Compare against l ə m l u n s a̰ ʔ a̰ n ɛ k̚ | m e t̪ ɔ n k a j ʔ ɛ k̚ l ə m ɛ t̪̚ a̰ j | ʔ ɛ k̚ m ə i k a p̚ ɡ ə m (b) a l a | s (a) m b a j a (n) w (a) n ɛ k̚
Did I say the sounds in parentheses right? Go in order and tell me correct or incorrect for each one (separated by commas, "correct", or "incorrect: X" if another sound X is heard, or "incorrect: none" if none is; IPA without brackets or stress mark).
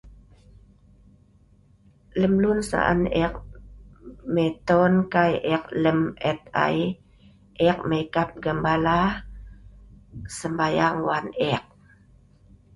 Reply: correct, incorrect: ə, incorrect: ŋ, correct